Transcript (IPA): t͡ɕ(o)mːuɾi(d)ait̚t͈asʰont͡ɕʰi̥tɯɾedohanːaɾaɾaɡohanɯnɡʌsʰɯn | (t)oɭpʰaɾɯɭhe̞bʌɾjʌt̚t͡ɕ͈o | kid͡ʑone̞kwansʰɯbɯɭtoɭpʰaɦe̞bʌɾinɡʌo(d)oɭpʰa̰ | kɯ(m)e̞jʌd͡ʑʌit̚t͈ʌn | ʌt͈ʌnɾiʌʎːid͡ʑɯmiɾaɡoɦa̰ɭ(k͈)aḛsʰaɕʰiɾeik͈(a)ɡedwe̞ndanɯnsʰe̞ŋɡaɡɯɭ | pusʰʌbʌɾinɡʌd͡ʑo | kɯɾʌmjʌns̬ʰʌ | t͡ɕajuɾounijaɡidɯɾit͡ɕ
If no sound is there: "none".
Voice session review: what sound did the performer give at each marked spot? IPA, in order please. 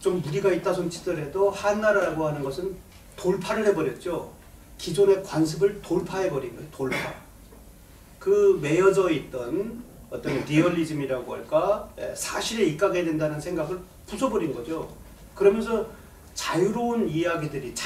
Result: o, ɡ, t, t, m, k͈, a

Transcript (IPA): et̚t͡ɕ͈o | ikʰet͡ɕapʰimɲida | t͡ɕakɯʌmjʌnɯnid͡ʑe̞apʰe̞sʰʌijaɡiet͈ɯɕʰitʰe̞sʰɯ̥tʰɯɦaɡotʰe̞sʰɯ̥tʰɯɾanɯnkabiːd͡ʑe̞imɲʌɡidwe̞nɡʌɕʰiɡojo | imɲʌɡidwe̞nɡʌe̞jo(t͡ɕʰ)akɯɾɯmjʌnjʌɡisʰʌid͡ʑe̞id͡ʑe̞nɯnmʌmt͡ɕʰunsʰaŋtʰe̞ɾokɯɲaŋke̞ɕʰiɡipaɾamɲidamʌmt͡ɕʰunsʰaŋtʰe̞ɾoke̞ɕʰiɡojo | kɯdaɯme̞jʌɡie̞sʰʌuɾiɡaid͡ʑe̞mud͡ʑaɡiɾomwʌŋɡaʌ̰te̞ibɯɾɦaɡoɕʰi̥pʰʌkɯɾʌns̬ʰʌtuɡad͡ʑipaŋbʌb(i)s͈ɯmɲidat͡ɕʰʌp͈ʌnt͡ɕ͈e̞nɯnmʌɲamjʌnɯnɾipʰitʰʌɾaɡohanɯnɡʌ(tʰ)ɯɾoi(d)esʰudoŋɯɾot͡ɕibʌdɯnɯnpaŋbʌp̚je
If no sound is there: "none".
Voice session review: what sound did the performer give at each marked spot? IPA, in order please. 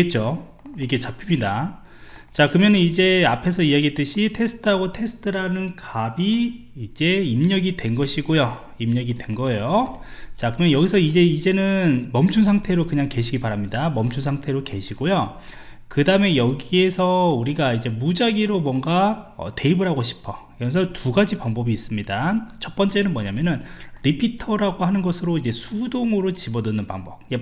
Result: t͡ɕ, iː, sʰ, d͡ʑ

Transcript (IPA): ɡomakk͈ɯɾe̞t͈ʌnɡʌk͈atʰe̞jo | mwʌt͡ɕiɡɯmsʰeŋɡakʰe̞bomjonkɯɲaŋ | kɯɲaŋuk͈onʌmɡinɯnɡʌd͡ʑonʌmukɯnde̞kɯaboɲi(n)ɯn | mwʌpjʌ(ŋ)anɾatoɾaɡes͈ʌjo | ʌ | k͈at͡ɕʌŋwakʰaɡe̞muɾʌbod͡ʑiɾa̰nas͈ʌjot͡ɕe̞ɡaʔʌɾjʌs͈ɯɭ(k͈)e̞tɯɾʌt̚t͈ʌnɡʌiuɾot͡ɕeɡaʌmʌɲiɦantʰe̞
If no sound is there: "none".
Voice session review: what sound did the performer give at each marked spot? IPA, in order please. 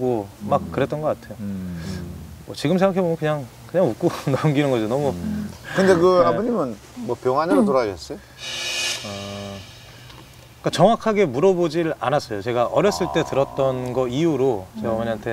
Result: m, ŋ, t͈

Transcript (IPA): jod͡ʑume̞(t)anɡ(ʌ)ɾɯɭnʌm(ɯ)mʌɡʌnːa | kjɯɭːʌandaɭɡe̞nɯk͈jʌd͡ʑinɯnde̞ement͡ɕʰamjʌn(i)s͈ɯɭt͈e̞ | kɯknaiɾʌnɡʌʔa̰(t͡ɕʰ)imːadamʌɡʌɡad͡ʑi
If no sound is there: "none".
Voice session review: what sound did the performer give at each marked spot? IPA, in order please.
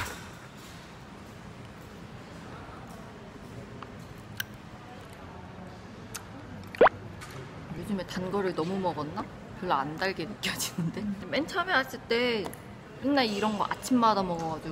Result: t, ʌ, u, a, t͡ɕʰ

